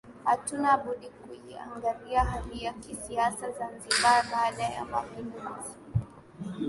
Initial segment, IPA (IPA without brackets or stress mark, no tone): h